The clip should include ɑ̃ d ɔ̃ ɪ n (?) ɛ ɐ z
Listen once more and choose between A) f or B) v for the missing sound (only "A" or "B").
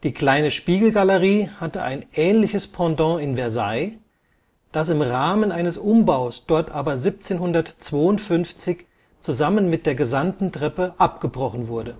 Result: B